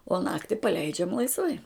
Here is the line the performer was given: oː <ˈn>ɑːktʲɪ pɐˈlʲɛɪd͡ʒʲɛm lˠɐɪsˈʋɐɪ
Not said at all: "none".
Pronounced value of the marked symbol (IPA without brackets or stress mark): n